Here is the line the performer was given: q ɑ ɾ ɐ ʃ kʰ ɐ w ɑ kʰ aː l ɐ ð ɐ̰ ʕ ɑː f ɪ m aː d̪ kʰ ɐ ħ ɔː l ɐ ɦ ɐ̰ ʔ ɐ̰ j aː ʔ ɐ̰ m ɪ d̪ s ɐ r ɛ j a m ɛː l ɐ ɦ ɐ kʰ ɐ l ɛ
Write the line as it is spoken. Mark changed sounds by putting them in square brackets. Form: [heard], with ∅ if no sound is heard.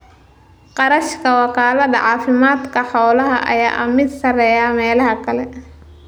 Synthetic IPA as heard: q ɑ ɾ ɐ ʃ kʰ ɐ w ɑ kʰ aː l ɐ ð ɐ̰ ʕ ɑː f ɪ m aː d̪ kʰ ɐ ħ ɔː l ɐ ɦ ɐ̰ ʔ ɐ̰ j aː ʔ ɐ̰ m ɪ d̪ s ɐ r ɛ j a m ɛː l ɐ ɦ ɐ kʰ ɐ l ɛ